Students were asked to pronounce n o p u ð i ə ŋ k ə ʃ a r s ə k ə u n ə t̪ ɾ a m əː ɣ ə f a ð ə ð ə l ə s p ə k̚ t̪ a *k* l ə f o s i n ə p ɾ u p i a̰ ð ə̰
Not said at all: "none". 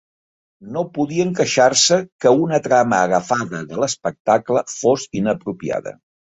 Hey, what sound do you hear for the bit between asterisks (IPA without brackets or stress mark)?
k